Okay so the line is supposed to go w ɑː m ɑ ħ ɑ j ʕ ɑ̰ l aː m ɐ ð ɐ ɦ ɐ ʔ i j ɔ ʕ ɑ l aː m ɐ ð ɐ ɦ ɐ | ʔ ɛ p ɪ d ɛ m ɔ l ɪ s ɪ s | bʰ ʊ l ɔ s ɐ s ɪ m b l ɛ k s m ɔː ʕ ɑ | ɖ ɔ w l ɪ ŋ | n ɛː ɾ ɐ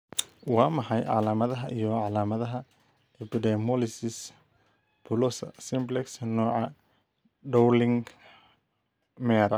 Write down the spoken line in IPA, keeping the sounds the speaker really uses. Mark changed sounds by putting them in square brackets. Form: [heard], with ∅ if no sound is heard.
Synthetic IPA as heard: w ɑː m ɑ ħ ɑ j ʕ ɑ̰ l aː m ɐ ð ɐ ɦ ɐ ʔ i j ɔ ʕ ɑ l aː m ɐ ð ɐ ɦ ɐ | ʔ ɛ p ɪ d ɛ m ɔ l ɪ s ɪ s | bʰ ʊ l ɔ s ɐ s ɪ m b l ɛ k s [n] ɔː ʕ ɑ | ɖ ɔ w l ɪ ŋ | [m] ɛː ɾ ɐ